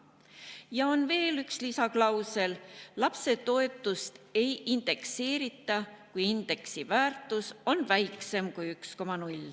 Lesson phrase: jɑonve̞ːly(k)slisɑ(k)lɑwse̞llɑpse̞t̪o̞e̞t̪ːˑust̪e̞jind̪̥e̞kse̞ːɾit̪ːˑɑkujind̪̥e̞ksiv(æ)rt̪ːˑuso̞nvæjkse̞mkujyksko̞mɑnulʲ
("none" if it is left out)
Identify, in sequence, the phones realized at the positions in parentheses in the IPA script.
k, k, æː

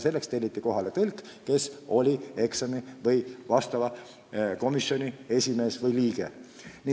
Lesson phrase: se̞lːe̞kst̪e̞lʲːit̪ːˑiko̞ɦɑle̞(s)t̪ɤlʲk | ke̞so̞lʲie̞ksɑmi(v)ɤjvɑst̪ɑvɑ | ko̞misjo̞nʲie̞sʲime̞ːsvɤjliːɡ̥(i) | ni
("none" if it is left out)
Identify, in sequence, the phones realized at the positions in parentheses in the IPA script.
none, v, e

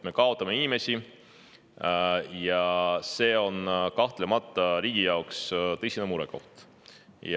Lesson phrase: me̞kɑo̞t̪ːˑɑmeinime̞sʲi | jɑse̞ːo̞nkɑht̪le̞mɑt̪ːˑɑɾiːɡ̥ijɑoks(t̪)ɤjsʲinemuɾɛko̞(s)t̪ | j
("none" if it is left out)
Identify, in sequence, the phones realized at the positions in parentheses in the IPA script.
t̪, h

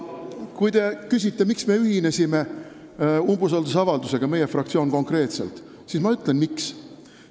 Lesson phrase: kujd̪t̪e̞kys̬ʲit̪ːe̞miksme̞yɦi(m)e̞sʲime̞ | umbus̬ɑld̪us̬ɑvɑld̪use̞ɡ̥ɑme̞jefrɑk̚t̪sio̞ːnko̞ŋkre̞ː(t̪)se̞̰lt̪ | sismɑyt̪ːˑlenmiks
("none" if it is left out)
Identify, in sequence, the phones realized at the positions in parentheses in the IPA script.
n, t̪

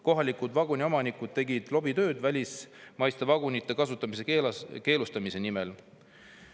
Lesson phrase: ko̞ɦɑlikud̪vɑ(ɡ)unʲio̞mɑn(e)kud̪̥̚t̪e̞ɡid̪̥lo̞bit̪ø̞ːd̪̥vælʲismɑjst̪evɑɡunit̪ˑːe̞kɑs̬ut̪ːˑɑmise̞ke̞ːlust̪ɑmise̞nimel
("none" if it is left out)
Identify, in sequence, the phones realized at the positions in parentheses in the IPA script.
ɡ, i

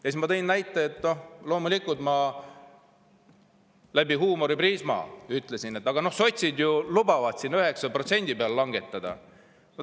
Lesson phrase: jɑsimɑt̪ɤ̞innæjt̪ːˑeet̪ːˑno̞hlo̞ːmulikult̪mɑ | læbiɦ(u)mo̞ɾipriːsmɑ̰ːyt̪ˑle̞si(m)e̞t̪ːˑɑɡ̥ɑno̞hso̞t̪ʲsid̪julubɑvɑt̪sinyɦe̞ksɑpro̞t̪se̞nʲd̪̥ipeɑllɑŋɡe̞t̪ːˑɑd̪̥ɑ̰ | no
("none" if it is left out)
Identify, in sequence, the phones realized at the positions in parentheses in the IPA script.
uː, n

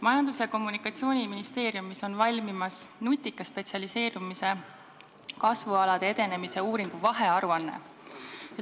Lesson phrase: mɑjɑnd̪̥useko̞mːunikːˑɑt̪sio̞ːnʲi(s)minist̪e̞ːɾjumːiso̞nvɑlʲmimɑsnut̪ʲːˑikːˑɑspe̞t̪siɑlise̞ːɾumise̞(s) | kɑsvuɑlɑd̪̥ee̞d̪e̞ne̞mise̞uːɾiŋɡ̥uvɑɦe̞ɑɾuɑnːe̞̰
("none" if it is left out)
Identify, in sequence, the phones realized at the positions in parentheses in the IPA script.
none, none

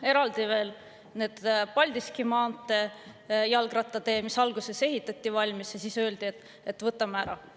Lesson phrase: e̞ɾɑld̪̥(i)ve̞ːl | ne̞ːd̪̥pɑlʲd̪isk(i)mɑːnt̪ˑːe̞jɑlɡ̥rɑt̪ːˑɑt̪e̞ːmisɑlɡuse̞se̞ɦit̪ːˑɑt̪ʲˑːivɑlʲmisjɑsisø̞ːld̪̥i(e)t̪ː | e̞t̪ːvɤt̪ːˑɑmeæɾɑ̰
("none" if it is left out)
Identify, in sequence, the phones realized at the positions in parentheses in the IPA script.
i, i, e

